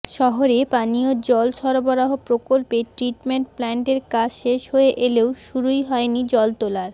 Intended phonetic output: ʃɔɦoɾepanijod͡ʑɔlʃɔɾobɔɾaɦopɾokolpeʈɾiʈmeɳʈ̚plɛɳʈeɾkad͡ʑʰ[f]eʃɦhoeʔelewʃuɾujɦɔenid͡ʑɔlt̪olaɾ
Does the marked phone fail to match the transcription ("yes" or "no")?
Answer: yes